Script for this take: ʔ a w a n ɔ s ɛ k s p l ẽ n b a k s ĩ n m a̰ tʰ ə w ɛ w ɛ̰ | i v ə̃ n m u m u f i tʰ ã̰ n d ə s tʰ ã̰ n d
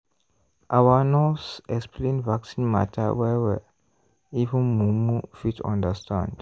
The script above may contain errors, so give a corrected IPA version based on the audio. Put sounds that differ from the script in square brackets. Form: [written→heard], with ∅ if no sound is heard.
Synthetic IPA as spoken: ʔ a w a n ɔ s ɛ k s p l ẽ n [b→v] a k s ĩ n m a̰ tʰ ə w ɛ w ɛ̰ | i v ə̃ n m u m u f i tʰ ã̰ n d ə s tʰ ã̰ n d